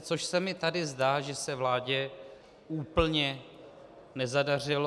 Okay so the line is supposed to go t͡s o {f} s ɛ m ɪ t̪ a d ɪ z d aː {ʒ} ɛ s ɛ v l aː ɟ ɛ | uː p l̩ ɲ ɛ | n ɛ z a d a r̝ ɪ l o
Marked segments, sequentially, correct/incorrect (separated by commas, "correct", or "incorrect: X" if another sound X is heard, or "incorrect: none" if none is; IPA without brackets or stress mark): incorrect: ʃ, correct